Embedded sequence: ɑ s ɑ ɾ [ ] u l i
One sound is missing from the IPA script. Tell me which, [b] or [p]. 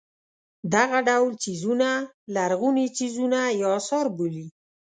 b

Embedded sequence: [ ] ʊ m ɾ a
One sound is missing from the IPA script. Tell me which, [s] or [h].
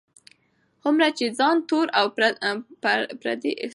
h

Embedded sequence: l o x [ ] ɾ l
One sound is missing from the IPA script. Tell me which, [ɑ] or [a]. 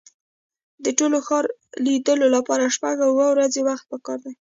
ɑ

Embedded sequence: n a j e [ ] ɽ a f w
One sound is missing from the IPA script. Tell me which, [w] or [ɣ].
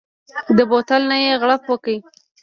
ɣ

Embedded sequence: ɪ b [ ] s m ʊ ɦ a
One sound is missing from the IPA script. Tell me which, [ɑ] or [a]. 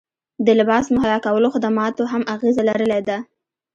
ɑ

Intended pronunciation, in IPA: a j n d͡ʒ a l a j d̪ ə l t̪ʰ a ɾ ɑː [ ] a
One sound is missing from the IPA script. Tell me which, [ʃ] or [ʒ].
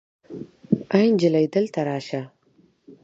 ʃ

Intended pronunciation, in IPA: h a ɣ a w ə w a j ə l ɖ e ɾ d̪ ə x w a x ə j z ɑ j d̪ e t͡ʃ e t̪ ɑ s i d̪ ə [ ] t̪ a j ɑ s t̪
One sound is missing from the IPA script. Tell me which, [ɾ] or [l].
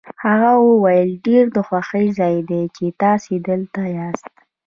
l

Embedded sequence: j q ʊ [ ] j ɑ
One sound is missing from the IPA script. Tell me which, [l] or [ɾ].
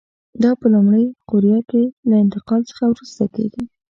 ɾ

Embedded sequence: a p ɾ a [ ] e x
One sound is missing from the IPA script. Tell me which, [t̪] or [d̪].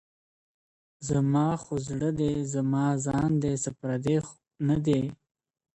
d̪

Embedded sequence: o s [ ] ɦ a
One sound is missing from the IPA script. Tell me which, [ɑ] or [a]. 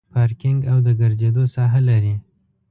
ɑ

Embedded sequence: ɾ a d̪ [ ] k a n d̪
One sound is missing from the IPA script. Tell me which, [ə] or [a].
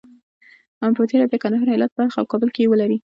ə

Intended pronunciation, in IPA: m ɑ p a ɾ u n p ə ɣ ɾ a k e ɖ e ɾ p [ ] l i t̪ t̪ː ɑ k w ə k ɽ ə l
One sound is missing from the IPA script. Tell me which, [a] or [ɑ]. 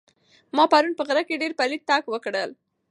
a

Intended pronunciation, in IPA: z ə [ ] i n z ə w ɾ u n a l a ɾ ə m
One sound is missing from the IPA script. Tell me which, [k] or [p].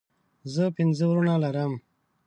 p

